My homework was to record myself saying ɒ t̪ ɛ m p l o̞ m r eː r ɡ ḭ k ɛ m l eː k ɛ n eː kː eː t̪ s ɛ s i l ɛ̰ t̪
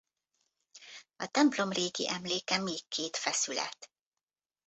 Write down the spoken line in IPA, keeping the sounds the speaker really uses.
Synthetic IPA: ɒ t̪ ɛ m p l o̞ m r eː ɡ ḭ ʔ ɛ m l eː k ɛ m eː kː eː t̪ f ɛ s y l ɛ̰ t̪